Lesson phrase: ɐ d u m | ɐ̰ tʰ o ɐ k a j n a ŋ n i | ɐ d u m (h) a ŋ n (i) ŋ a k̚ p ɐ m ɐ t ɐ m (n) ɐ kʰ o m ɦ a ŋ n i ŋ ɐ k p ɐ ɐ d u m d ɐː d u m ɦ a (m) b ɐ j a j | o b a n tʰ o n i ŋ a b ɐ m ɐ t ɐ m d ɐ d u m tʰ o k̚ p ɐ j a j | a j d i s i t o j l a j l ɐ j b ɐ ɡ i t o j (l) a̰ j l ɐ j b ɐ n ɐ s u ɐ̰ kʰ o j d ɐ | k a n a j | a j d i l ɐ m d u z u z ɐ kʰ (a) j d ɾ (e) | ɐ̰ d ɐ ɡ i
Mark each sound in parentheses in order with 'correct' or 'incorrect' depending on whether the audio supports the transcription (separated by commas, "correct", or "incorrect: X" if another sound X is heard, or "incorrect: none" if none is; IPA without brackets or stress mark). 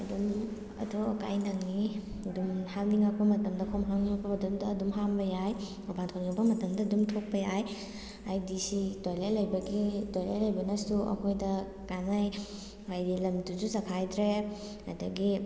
correct, correct, incorrect: d, correct, correct, correct, correct